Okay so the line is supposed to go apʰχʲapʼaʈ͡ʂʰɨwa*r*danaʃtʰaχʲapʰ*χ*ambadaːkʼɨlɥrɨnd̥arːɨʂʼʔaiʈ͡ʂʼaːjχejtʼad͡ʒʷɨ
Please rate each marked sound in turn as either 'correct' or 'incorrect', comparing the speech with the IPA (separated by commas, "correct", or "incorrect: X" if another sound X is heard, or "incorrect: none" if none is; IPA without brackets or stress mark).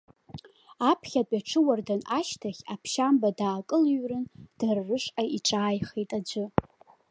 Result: correct, incorrect: ʃ